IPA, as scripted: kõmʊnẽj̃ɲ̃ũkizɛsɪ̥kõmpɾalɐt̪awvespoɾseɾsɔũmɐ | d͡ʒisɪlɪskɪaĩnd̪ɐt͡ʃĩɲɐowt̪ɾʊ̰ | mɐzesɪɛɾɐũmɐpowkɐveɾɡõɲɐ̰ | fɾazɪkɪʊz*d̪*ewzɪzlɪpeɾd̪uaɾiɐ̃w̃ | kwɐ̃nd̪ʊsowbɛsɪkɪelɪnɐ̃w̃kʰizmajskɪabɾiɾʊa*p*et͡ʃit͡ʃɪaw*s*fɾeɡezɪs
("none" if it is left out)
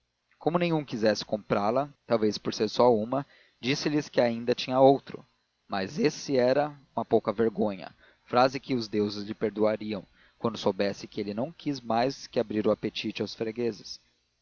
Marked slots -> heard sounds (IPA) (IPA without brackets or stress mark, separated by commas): d̪, p, s